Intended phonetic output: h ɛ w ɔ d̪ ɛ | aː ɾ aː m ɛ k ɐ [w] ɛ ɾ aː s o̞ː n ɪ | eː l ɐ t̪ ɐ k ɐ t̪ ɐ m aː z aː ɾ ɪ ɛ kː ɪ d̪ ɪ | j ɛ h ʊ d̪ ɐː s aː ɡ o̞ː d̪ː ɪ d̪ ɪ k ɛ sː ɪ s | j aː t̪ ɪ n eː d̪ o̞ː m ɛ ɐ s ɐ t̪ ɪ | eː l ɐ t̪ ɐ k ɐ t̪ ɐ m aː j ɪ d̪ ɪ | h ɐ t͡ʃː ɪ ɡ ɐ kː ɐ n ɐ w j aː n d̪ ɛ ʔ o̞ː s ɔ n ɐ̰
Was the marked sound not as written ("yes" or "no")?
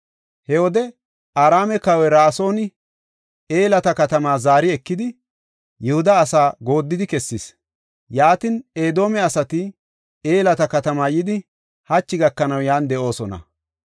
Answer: no